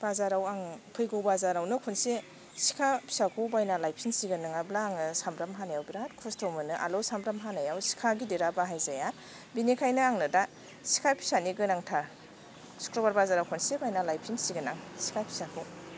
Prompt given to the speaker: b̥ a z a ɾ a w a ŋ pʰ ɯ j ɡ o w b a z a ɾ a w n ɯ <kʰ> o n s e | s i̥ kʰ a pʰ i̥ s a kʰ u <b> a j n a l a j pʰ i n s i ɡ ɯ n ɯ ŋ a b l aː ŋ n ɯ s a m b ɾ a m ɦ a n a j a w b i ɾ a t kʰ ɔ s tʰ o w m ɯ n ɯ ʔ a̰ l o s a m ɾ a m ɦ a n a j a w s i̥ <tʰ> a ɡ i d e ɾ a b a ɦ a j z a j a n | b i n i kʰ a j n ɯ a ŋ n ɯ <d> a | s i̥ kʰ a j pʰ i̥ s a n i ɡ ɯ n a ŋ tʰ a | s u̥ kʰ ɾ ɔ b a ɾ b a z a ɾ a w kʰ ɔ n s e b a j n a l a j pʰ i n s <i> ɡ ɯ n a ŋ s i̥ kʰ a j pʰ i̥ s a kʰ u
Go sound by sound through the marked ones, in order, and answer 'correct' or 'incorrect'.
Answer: correct, correct, incorrect: kʰ, correct, correct

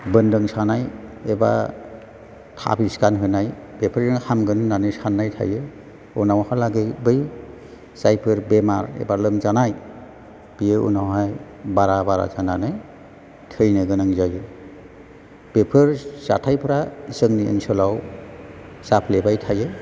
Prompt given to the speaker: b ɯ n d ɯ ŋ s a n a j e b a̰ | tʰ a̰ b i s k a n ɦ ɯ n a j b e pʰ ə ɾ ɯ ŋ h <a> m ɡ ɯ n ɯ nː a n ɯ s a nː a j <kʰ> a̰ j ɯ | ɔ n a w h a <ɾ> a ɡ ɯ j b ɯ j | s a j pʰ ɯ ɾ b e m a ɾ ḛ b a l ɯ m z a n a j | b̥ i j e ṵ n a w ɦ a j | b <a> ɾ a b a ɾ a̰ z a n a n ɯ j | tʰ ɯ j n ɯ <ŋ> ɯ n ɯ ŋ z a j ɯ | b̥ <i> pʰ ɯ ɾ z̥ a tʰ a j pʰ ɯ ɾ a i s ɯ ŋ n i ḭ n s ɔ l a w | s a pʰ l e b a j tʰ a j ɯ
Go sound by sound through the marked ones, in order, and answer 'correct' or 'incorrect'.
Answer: correct, incorrect: tʰ, incorrect: l, correct, incorrect: ɡ, incorrect: e

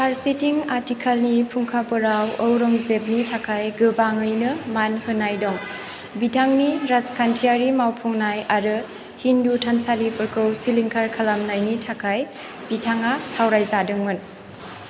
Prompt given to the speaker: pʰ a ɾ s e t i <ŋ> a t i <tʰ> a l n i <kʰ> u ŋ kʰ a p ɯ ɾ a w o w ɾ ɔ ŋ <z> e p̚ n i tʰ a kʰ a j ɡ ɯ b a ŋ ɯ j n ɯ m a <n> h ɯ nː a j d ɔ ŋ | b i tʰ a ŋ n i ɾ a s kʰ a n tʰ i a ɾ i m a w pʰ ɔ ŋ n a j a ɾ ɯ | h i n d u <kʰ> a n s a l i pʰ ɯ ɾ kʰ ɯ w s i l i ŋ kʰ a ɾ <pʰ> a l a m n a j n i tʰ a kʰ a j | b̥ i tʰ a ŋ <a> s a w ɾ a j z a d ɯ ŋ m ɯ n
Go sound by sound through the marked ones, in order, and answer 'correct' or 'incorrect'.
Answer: correct, incorrect: kʰ, incorrect: pʰ, correct, correct, incorrect: tʰ, incorrect: kʰ, correct

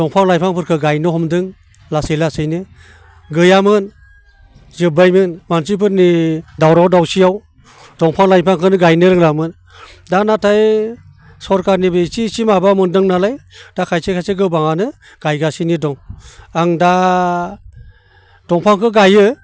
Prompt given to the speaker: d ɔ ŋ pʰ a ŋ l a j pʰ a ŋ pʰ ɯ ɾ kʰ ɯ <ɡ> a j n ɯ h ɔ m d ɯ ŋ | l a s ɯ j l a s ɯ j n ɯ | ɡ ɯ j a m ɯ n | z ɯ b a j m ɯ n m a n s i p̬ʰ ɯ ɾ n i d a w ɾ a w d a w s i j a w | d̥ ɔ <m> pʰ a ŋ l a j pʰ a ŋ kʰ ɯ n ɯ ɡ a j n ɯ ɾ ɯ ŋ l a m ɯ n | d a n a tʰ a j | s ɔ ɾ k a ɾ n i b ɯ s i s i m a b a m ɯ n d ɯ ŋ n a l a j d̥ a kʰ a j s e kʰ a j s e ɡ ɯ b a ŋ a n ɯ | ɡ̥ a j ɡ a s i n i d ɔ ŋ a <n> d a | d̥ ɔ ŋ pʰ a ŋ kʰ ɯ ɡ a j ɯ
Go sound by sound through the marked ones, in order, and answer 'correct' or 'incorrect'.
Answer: correct, incorrect: ŋ, incorrect: ŋ

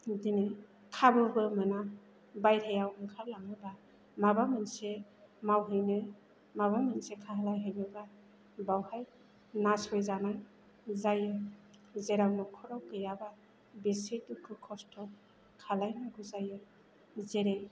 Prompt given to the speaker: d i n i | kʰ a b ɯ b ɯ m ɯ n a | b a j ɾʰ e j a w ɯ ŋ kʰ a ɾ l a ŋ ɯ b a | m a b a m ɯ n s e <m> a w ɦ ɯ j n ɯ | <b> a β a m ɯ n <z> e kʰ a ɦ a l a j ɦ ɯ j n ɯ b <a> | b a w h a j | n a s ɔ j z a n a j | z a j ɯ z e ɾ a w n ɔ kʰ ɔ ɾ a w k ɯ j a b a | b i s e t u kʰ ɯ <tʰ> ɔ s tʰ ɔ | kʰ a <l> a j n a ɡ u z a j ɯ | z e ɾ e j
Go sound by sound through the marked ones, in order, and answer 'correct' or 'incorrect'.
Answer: correct, incorrect: m, incorrect: s, correct, incorrect: kʰ, correct

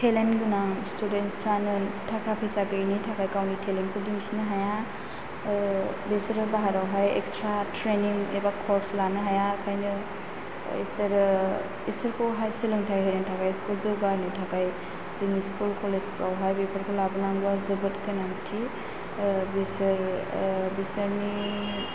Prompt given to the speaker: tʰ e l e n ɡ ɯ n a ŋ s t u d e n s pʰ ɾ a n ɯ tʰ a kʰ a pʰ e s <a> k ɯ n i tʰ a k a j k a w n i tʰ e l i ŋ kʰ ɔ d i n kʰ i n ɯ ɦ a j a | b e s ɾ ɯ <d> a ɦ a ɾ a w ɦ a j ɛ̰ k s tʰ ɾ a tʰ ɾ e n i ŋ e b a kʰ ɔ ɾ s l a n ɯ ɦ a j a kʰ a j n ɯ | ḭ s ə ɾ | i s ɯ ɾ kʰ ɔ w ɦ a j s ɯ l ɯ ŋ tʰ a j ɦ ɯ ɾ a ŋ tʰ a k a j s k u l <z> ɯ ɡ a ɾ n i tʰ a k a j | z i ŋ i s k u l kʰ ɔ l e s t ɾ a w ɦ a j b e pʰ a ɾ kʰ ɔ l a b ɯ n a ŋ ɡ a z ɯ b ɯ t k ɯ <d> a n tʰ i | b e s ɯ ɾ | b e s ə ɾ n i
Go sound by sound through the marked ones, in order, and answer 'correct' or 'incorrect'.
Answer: correct, incorrect: b, correct, incorrect: n

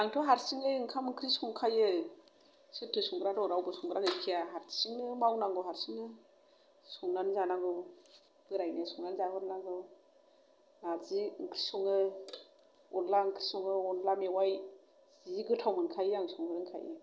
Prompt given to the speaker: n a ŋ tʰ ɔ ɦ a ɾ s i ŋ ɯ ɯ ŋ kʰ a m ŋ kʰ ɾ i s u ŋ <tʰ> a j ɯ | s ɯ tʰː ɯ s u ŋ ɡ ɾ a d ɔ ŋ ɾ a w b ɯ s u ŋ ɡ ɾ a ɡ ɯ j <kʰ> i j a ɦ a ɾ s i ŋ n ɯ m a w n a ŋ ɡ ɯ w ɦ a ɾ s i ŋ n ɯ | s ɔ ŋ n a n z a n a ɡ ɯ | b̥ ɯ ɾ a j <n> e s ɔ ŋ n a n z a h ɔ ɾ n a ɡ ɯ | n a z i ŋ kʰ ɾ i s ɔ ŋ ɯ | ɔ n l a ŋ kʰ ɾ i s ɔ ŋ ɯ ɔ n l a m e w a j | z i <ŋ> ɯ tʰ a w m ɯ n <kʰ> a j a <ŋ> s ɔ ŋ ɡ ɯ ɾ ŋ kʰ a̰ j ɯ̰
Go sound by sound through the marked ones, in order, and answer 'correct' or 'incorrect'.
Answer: incorrect: kʰ, correct, correct, incorrect: ɡ, correct, correct

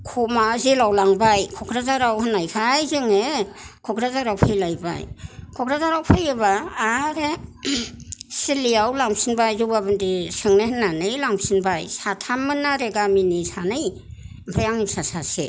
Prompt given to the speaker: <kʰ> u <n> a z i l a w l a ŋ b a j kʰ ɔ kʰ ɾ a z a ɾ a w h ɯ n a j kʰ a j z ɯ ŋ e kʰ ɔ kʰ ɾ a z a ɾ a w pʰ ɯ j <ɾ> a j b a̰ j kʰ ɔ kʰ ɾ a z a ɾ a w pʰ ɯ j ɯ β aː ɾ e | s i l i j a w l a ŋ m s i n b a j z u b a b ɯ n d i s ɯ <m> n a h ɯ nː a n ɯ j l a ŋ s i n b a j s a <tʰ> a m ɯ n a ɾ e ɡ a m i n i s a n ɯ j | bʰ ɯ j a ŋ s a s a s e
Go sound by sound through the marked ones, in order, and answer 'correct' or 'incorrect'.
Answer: correct, incorrect: m, incorrect: l, incorrect: ŋ, correct

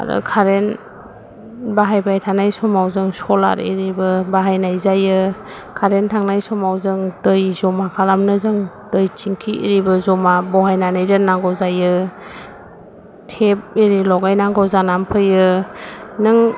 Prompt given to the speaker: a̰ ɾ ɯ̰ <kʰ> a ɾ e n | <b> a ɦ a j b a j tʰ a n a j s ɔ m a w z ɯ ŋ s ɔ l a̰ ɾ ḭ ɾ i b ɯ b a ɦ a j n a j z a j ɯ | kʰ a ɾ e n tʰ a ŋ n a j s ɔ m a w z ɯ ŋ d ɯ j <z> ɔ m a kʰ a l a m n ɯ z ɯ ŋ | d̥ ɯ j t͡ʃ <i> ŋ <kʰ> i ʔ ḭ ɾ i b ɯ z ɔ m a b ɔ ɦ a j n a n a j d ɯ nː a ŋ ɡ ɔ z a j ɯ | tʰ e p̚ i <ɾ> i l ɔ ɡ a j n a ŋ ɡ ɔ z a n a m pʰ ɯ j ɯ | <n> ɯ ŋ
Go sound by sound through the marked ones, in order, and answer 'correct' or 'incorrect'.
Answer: correct, correct, correct, correct, correct, correct, correct

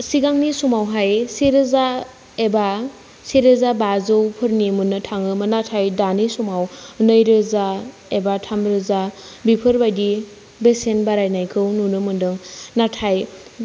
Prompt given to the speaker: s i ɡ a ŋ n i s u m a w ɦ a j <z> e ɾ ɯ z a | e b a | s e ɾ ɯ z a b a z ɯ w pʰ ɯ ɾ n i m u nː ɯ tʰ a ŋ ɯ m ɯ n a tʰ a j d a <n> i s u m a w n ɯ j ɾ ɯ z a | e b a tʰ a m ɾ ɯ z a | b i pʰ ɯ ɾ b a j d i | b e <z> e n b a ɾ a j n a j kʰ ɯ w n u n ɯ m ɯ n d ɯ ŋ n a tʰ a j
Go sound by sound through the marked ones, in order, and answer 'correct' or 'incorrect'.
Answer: incorrect: s, correct, incorrect: s

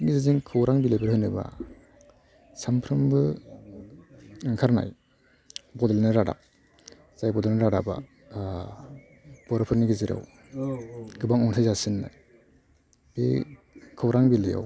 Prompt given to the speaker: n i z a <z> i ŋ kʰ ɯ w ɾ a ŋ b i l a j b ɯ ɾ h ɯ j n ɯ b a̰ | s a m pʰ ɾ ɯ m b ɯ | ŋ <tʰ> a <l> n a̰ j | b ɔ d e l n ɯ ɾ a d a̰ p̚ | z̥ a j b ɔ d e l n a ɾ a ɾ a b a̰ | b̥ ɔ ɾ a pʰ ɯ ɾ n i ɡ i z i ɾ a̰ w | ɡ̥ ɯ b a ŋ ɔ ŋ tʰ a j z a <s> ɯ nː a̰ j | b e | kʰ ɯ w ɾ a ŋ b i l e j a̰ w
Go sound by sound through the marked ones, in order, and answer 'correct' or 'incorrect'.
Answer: correct, incorrect: kʰ, incorrect: ɾ, correct

